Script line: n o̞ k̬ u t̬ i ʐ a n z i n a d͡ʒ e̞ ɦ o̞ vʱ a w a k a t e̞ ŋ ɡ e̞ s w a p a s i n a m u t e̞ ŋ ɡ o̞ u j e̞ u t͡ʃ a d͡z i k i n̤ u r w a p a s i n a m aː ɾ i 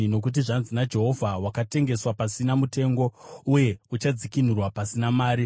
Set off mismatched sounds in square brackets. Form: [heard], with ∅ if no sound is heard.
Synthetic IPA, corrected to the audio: n o̞ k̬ u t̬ i ʐ a n z i n a d͡ʒ e̞ ɦ o̞ vʱ a w a k a t e̞ ŋ ɡ e̞ s w a p a s i n a m u t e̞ ŋ ɡ o̞ u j e̞ u t͡ʃ a d͡z i k i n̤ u r w a p a s i n a m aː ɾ i